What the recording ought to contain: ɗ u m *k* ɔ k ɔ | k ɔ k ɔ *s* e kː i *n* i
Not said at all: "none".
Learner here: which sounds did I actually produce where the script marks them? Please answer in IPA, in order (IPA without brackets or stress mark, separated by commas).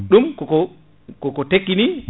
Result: k, t, n